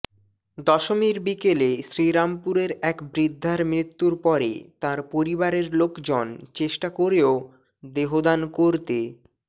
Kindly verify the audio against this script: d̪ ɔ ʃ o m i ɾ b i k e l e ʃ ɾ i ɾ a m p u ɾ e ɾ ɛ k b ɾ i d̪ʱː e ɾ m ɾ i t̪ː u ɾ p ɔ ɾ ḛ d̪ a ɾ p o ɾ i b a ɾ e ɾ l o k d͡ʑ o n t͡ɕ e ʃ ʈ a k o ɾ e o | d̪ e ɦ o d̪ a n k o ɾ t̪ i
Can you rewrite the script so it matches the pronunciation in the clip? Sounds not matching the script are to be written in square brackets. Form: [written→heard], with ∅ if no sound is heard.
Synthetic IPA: d̪ ɔ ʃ o m i ɾ b i k e l e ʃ ɾ i ɾ a m p u ɾ e ɾ ɛ k b ɾ i d̪ʱː [e→a] ɾ m ɾ i t̪ː u ɾ p ɔ ɾ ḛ [d̪→t̪] a ɾ p o ɾ i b a ɾ e ɾ l o k d͡ʑ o n t͡ɕ e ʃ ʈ a k o ɾ e o | d̪ e ɦ o d̪ a n k o ɾ t̪ [i→e]